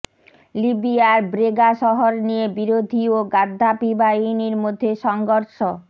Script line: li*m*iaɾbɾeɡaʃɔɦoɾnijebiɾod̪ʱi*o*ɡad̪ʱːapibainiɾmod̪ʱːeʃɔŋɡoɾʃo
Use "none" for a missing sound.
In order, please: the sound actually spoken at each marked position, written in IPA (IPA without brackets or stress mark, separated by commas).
b, o